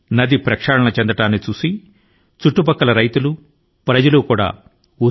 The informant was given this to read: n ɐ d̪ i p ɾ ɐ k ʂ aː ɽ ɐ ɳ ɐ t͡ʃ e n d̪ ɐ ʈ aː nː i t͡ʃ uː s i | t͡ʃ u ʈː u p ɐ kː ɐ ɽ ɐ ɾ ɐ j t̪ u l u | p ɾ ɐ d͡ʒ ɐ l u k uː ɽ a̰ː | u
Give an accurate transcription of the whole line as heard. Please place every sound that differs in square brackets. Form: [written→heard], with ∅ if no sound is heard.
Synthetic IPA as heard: n ɐ d̪ i p ɾ ɐ k ʂ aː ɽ ɐ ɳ ɐ t͡ʃ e n d̪ ɐ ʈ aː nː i t͡ʃ uː s i | t͡ʃ u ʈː u p ɐ kː ɐ [ɽ→l] ɐ ɾ ɐ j t̪ u l u | p ɾ ɐ d͡ʒ ɐ l u k uː ɽ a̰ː | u